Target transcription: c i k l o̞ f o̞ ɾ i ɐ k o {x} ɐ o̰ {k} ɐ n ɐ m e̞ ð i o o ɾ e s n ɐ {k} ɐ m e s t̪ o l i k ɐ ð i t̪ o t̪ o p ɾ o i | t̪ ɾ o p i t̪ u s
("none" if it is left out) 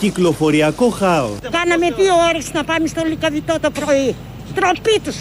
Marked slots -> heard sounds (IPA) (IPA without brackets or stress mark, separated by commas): x, k, p